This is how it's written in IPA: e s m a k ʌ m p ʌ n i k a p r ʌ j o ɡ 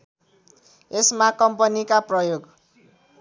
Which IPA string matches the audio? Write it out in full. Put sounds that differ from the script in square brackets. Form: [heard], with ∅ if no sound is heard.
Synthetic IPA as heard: e s m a k ʌ m p ʌ n i k a p r ʌ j o ɡ